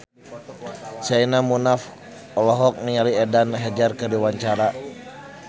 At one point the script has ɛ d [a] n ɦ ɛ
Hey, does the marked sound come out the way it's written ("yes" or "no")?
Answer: yes